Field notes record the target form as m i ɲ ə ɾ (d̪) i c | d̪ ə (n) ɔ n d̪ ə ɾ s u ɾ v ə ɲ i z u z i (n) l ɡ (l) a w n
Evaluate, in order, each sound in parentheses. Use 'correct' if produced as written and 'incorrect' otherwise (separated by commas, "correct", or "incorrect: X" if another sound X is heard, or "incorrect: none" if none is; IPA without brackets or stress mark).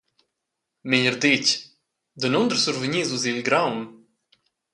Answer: correct, correct, incorrect: none, incorrect: ɾ